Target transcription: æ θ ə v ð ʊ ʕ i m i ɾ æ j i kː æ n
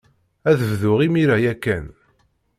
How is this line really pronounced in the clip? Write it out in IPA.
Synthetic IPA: æ ð ə v ð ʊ ʁ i m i ɾ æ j æ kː æ n